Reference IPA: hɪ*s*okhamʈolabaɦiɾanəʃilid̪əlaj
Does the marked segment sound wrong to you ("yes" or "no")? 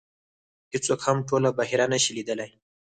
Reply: yes